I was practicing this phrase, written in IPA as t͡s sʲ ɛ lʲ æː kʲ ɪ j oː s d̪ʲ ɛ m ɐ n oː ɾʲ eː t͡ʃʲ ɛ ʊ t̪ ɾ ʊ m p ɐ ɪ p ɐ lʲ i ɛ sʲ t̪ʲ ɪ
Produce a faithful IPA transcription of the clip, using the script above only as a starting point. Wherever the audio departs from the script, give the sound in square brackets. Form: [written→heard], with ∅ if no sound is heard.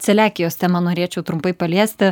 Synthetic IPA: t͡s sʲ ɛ lʲ æː kʲ ɪ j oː s [d̪ʲ→t̪ʲ] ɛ m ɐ n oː ɾʲ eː t͡ʃʲ ɛ ʊ t̪ ɾ ʊ m p ɐ ɪ p ɐ lʲ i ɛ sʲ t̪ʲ ɪ